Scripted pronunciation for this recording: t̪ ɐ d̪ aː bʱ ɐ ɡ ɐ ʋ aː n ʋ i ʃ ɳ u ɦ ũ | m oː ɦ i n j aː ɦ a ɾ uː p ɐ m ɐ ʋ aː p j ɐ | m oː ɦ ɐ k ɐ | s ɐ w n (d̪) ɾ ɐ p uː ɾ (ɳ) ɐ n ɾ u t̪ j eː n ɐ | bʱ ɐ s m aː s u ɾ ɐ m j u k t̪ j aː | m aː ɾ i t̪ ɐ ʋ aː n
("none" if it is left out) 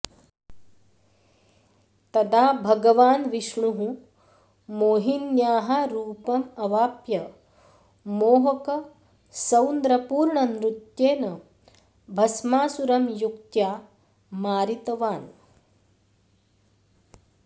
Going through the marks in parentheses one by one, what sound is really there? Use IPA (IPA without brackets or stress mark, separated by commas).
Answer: d̪, ɳ